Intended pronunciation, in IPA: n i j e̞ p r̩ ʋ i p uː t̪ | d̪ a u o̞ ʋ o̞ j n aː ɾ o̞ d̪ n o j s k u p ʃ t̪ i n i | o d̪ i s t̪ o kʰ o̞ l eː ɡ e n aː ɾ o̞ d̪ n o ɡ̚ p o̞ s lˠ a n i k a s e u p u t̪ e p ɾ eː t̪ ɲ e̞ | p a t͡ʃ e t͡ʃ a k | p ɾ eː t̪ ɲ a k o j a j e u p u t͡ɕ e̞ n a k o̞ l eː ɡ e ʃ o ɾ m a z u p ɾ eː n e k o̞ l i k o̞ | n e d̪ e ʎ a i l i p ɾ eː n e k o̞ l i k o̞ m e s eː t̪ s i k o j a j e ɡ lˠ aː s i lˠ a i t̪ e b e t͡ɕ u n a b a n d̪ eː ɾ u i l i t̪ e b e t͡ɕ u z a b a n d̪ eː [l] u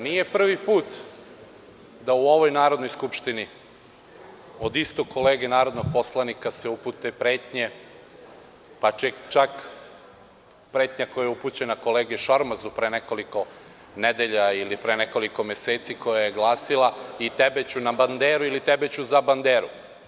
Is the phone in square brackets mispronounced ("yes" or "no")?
yes